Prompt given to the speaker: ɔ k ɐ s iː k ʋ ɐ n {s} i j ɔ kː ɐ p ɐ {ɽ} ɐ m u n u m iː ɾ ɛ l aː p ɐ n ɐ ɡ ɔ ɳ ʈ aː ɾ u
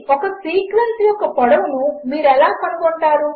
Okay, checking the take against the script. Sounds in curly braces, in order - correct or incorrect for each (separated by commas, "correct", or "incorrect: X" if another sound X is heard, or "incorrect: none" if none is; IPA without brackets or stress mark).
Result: correct, correct